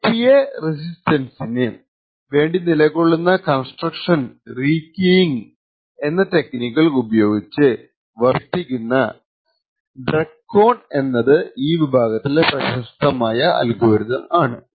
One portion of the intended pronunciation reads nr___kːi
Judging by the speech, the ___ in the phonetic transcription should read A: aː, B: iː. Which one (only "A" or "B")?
B